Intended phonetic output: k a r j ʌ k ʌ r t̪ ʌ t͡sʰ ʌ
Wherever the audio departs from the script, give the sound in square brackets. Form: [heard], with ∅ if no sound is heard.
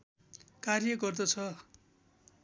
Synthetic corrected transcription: k a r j ʌ [ɡ] ʌ r [d̪] ʌ t͡sʰ ʌ